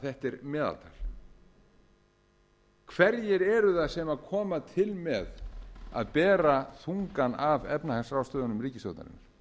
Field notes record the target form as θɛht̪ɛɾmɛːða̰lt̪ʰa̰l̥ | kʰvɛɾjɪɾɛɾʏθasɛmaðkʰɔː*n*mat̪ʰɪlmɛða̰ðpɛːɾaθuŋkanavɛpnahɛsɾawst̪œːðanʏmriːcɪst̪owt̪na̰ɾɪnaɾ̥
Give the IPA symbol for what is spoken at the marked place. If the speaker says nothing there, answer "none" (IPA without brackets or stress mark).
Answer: none